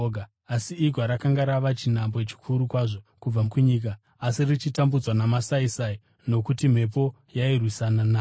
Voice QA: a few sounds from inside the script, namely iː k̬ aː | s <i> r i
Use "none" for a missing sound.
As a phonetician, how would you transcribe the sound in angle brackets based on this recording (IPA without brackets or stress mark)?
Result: i